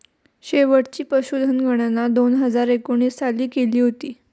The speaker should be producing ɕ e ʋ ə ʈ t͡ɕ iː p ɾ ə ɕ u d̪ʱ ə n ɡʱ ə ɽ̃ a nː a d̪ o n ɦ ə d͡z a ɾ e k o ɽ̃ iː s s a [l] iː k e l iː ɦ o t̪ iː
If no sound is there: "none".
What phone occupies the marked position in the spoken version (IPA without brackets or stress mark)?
l